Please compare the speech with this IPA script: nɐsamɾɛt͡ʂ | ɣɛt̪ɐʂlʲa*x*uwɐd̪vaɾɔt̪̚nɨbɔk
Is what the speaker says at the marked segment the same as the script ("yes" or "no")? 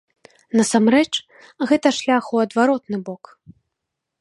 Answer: yes